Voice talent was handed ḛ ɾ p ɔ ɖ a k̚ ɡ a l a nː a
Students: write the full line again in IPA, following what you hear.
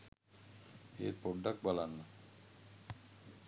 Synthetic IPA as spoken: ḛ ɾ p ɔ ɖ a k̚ b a l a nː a